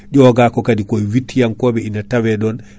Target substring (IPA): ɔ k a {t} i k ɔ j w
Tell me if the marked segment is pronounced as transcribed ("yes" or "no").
no